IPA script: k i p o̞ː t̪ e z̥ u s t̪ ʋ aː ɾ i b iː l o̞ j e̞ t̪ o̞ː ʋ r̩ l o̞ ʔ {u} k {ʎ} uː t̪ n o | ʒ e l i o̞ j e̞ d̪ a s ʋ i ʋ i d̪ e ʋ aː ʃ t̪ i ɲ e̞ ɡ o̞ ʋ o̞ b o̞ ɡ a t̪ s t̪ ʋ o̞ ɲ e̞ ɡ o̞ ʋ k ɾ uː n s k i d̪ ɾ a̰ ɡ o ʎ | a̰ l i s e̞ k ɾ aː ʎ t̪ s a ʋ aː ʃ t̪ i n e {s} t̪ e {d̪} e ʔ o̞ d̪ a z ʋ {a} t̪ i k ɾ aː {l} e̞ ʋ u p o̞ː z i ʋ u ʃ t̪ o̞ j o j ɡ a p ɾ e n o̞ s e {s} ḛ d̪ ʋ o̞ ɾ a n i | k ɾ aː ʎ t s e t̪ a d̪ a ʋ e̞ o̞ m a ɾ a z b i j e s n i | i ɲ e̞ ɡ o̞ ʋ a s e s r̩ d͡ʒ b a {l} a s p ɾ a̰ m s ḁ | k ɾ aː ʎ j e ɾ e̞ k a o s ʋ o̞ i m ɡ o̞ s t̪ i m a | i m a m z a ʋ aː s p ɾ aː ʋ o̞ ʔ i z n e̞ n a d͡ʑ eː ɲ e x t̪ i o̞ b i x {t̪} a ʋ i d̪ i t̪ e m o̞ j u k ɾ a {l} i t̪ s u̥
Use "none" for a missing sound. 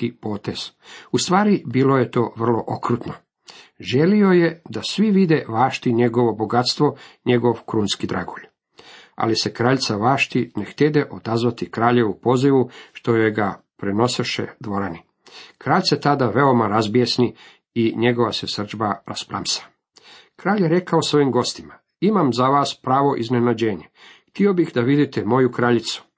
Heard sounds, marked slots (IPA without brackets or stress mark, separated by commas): o, ɾ, x, d̪, a, ʎ, ʃ, ɾ, d̪, ʎ